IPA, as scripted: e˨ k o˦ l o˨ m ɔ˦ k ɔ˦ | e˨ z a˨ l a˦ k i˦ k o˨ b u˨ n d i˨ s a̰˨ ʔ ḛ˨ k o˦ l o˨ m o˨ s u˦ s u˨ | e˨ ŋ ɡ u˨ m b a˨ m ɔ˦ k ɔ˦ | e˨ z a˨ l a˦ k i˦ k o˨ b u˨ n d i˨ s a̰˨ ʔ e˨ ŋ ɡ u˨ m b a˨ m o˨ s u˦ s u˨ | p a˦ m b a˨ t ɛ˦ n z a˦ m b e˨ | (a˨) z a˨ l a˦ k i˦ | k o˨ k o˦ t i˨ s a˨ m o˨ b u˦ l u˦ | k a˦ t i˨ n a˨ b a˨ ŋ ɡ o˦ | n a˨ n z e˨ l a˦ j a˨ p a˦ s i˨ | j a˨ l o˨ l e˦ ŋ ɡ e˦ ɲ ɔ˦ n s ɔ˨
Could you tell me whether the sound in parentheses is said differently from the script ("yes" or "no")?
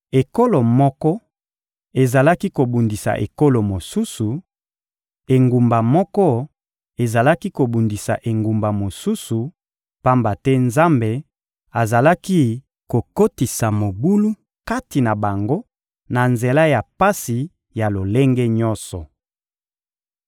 no